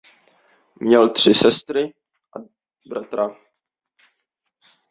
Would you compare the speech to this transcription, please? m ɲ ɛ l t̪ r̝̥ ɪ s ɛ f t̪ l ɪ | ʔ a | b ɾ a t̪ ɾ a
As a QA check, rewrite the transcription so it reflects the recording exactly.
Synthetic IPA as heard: m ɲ ɛ l t̪ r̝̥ ɪ s ɛ s t̪ ɾ ɪ | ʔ a | b ɾ a t̪ ɾ a